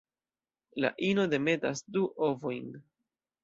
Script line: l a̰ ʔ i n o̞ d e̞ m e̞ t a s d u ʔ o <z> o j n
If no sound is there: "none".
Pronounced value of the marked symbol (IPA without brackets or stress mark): v